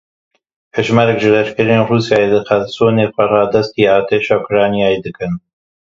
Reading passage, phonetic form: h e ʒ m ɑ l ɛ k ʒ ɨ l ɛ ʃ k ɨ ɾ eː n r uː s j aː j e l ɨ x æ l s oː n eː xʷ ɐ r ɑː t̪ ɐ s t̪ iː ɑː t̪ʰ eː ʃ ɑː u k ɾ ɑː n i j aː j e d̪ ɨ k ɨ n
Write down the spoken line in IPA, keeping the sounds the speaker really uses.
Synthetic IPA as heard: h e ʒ m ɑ ɾ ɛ k ʒ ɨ l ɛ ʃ k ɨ ɾ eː n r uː s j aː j e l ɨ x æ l s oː n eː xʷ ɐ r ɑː d̪ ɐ s t̪ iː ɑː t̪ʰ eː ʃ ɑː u k ɾ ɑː n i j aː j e d̪ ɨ k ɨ n